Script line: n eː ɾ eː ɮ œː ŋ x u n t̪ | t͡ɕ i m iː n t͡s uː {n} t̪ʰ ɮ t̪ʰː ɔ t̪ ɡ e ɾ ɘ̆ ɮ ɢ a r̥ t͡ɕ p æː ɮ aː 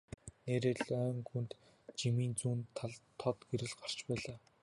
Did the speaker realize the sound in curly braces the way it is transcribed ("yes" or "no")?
yes